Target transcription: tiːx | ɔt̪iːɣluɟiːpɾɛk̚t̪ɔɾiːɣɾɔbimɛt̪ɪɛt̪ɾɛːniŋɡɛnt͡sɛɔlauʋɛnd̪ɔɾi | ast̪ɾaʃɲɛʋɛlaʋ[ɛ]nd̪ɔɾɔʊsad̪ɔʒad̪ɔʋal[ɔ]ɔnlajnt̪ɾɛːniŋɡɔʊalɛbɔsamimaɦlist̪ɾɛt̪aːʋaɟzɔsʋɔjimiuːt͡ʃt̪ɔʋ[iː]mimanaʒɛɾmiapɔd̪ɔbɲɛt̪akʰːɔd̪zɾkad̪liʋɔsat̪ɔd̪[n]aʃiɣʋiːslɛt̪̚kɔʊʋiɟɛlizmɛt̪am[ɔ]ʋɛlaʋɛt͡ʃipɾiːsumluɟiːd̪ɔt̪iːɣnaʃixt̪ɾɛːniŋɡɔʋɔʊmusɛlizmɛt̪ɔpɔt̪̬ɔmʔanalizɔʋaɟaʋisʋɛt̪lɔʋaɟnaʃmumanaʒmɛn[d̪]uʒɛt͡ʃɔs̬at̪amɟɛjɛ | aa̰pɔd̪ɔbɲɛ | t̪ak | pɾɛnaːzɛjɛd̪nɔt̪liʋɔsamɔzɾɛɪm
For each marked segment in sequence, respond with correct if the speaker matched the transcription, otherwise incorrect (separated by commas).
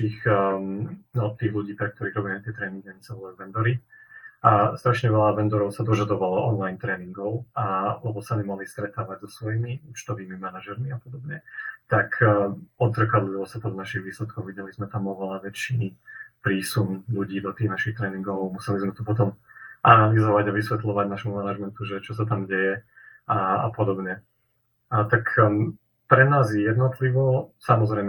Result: correct, correct, correct, correct, correct, incorrect